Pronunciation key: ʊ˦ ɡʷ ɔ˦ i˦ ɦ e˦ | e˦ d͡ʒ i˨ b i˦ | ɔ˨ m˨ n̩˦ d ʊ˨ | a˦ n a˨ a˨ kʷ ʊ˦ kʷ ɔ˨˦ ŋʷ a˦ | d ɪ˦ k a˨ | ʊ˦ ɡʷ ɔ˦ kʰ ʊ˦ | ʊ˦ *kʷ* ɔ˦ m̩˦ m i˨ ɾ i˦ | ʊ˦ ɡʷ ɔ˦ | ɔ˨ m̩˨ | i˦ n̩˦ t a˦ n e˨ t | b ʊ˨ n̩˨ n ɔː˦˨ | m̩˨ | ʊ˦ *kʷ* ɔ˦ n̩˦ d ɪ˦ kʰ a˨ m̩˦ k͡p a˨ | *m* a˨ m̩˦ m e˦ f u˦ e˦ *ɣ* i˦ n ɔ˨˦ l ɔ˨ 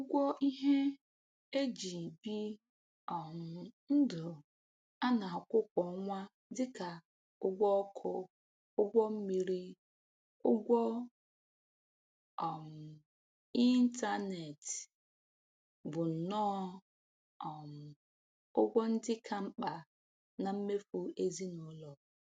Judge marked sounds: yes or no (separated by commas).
no, no, no, no